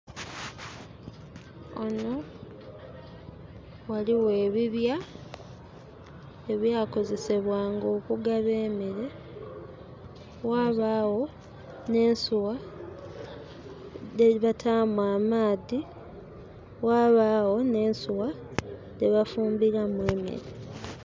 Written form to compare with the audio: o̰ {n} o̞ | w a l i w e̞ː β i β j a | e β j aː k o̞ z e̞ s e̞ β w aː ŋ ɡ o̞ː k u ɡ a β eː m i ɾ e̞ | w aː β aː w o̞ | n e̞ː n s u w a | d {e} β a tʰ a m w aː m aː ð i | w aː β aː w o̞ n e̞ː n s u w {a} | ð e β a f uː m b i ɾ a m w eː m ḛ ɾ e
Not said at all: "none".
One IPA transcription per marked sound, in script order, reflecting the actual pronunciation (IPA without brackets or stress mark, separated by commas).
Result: n, e, a